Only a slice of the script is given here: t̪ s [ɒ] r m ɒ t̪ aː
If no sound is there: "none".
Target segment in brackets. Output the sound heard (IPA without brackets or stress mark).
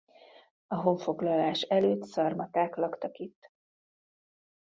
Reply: ɒ